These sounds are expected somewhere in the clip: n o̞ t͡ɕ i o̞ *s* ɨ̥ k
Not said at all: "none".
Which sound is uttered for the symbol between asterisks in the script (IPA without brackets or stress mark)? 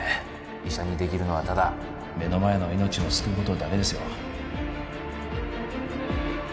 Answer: s